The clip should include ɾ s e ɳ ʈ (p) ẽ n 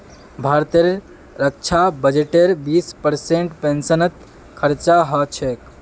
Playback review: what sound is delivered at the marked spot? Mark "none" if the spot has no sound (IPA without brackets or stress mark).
p